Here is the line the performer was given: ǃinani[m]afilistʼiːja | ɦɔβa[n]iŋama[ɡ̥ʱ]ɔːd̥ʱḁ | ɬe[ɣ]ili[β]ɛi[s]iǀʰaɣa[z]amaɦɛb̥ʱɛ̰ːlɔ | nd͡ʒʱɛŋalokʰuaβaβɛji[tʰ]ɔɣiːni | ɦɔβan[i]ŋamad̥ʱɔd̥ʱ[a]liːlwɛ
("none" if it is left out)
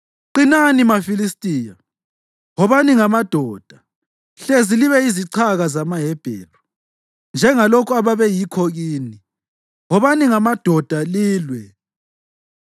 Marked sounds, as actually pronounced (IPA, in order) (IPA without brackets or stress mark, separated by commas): m, n, d̥ʱ, z, β, z, z, kʰ, i, a